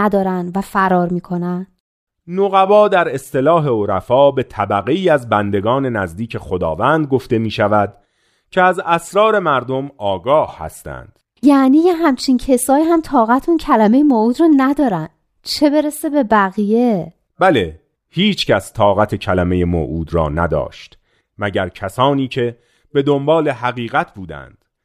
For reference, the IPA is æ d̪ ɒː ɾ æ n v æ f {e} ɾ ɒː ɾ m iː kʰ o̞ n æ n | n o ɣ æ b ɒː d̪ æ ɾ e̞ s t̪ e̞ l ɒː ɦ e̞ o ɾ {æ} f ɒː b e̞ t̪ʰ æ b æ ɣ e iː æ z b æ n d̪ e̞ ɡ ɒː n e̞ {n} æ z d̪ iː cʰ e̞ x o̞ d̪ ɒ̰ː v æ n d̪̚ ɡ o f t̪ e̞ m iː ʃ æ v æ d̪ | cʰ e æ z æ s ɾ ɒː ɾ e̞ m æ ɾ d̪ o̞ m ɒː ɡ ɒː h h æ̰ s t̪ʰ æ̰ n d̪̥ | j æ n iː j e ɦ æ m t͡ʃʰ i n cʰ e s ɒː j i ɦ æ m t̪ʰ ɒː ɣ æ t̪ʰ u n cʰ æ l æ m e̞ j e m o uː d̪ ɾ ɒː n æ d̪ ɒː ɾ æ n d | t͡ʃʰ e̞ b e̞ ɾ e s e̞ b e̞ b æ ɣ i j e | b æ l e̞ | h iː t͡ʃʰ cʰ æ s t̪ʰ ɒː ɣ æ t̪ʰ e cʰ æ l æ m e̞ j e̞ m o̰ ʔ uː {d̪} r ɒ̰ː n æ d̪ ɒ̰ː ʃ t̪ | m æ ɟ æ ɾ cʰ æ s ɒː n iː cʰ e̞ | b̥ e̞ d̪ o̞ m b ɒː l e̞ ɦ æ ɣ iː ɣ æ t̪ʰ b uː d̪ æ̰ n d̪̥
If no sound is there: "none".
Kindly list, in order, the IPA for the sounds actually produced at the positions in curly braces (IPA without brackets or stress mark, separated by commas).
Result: æ, æ, n, d̪